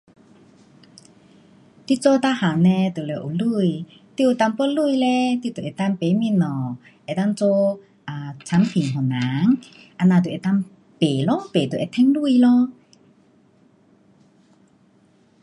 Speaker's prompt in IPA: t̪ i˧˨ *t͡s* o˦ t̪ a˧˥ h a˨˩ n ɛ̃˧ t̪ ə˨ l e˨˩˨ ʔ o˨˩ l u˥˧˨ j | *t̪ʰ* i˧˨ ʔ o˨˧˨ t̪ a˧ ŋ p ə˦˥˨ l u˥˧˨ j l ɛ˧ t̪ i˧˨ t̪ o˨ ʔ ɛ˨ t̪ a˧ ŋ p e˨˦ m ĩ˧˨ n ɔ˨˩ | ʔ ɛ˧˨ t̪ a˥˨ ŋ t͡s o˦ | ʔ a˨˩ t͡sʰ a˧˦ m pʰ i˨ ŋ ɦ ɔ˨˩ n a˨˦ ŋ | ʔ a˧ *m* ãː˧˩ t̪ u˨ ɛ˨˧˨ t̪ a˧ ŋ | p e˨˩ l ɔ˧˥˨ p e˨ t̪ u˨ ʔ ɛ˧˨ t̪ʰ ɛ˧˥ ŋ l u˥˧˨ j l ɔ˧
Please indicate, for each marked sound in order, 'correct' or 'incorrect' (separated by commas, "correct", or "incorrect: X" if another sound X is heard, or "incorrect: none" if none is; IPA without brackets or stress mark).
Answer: correct, incorrect: t̪, incorrect: n